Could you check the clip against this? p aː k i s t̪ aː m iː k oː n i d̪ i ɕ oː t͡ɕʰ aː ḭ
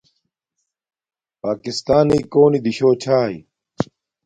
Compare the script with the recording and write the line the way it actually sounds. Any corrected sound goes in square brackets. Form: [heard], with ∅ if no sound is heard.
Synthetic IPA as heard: p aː k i s t̪ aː [n] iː k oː n i d̪ i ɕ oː t͡ɕʰ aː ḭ

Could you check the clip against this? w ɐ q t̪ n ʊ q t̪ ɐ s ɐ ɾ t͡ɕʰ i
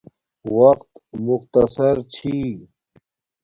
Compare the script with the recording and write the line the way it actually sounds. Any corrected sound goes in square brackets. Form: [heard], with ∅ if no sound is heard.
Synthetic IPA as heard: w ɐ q t̪ [m] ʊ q t̪ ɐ s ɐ ɾ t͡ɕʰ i

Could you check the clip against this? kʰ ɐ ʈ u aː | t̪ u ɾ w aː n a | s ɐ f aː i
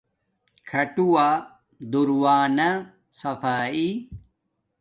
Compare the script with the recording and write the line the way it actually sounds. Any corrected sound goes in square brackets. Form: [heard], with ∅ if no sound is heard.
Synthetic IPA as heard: kʰ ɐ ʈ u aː | [d̪] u ɾ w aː n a | s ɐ f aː i

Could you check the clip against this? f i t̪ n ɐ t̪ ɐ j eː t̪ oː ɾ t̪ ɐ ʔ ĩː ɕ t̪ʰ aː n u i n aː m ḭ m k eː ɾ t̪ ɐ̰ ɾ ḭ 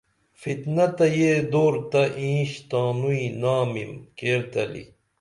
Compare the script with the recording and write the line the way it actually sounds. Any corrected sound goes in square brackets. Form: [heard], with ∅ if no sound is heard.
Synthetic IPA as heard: f i t̪ n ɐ t̪ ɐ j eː [d̪] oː ɾ t̪ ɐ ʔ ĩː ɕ [t̪] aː n u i n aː m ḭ m k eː ɾ t̪ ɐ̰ [l] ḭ

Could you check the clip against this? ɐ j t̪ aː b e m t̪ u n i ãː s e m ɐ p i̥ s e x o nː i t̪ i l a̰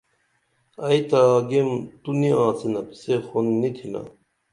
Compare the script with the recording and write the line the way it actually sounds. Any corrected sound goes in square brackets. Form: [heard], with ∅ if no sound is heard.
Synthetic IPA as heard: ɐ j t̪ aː [ɡ] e m t̪ u n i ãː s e [n] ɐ p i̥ s e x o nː i [t̪ʰ] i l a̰

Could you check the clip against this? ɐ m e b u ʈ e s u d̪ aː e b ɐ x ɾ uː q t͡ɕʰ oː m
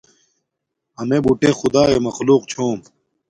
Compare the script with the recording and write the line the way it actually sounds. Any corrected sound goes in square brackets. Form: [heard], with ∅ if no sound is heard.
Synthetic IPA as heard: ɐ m e b u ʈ e [x] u d̪ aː e [m] ɐ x [l] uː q t͡ɕʰ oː m

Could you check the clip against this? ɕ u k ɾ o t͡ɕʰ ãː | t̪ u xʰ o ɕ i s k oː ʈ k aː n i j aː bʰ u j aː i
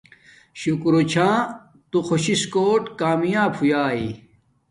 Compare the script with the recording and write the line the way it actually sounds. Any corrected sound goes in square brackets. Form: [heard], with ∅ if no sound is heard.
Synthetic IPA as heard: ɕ u k ɾ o t͡ɕʰ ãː | t̪ u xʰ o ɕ i s k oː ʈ k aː [m] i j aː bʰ u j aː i

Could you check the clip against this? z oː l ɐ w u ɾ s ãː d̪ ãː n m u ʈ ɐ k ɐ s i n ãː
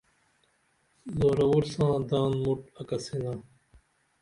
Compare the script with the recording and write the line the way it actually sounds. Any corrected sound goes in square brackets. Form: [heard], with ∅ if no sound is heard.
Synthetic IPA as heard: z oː [ɾ] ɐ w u ɾ s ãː d̪ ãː n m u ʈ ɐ k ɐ s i n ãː

